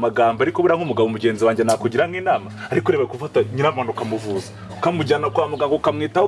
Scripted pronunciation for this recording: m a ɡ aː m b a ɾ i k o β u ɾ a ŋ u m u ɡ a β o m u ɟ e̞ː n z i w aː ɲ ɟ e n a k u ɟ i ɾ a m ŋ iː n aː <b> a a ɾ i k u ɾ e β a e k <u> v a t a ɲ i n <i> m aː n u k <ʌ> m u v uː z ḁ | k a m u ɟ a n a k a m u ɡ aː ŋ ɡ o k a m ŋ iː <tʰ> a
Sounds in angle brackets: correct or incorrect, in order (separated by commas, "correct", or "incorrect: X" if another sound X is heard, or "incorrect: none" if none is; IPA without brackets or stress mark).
incorrect: m, correct, incorrect: a, incorrect: a, incorrect: t